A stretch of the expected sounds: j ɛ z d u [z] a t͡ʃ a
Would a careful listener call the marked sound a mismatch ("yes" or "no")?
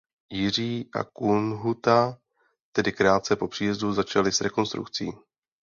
no